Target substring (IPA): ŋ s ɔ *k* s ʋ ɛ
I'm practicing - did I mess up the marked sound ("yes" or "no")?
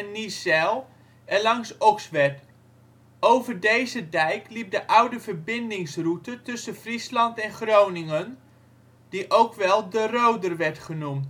no